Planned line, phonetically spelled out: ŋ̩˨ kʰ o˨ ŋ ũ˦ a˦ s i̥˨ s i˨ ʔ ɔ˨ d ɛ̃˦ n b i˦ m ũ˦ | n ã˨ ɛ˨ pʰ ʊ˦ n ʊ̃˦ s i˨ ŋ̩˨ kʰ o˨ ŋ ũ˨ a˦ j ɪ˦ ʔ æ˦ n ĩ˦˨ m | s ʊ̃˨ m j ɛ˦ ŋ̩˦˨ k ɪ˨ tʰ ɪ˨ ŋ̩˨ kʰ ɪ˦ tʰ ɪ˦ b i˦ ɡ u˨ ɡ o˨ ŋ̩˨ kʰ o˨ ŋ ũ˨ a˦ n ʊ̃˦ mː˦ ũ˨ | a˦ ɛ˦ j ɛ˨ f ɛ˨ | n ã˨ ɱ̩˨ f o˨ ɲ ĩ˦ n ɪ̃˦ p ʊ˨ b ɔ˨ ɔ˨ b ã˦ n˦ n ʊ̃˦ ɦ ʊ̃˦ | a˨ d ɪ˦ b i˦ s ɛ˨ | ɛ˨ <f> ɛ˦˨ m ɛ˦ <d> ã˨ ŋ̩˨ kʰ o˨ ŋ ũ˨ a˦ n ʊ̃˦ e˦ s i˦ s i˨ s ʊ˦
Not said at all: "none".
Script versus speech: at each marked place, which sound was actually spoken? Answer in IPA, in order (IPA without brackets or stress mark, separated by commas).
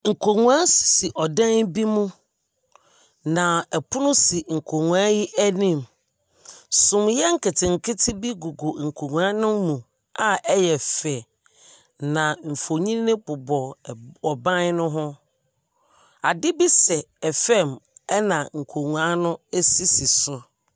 f, n